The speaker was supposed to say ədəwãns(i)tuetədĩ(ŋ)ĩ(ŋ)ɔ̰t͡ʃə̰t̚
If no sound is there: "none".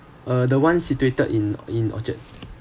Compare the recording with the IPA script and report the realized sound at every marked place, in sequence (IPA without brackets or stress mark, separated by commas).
i, n, n